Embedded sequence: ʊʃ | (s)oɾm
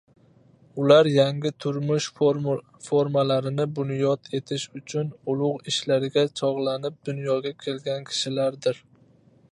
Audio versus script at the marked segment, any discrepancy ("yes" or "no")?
yes